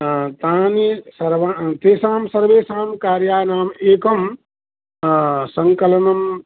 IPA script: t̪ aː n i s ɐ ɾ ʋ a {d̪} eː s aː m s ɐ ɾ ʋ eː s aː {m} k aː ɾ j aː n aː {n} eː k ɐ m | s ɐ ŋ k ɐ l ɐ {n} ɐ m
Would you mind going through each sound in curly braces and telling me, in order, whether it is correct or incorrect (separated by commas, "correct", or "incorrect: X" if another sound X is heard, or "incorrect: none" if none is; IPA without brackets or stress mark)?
incorrect: t̪, correct, incorrect: m, correct